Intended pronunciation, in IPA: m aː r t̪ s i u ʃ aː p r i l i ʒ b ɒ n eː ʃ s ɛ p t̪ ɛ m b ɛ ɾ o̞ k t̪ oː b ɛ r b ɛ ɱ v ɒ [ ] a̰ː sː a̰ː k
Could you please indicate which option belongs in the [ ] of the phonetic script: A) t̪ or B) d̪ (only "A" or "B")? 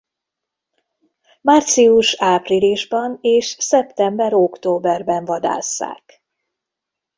B